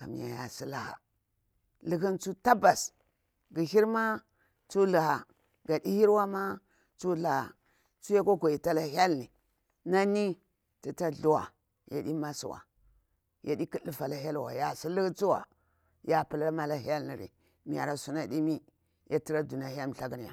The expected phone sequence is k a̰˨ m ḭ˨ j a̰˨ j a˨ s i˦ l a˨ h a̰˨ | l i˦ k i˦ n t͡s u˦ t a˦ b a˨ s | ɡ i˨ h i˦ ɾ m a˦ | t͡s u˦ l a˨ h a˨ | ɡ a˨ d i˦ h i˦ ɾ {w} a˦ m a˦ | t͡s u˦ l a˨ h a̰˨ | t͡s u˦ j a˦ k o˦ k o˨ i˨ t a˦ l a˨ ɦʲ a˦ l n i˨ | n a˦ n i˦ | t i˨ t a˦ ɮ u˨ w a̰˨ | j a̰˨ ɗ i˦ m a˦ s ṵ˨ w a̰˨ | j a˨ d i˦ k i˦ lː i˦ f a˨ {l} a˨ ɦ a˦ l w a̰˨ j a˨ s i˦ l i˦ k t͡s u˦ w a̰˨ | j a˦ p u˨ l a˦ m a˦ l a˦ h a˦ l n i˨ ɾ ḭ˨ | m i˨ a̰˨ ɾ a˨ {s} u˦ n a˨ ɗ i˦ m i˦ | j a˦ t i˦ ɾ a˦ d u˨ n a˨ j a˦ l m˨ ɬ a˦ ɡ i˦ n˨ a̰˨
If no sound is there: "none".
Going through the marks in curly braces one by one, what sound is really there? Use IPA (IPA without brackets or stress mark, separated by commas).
w, l, s